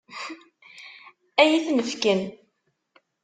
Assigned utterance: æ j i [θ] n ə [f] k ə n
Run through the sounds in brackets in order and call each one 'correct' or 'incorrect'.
correct, correct

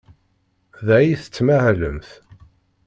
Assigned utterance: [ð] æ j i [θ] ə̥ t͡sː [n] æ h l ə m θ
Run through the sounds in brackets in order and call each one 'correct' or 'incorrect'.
correct, correct, incorrect: m

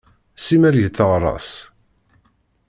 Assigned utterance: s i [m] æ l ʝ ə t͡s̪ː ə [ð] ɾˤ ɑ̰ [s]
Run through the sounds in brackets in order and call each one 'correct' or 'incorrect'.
correct, incorrect: ʁ, correct

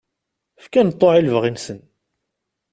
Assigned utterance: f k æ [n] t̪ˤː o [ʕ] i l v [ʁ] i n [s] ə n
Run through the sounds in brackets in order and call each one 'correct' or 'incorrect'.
correct, correct, correct, correct

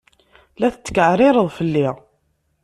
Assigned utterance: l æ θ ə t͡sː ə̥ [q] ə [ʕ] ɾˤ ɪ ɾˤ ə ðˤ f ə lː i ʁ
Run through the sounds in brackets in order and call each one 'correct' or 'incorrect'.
incorrect: k, correct

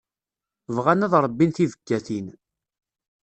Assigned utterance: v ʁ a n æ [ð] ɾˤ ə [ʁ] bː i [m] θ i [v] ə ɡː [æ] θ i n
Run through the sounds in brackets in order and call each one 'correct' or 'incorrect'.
correct, incorrect: none, incorrect: n, correct, correct

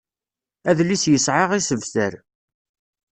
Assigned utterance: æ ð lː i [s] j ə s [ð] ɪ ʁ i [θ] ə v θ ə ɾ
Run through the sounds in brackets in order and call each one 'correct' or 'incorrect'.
correct, incorrect: ʕ, incorrect: s

